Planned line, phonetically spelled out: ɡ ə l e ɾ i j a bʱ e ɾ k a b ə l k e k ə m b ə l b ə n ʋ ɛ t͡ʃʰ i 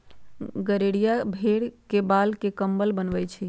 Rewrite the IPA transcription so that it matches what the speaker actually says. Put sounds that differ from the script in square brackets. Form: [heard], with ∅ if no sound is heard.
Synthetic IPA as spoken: ɡ ə [ɾ] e [ɽ] i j a bʱ e [ɽ] k [e] b [a] l k e k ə m b ə l b ə n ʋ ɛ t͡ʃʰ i